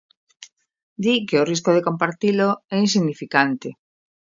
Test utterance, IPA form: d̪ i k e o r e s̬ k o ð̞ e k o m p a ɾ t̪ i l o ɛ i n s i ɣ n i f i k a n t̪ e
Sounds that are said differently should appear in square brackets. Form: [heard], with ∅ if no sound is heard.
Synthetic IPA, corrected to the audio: d̪ i k e o r [i] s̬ k o ð̞ e k o m p a ɾ t̪ i l o ɛ i n s i ɣ n i f i k a n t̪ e